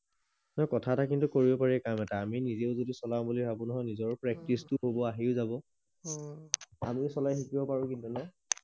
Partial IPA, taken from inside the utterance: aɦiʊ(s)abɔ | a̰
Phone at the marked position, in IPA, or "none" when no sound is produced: z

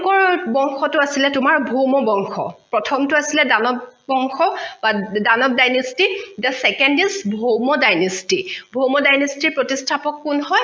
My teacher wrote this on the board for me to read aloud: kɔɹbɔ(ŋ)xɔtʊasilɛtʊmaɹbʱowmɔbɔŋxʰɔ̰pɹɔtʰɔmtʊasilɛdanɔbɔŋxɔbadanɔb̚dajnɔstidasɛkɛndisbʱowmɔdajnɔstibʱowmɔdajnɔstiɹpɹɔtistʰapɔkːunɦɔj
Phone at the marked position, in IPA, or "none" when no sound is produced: ŋ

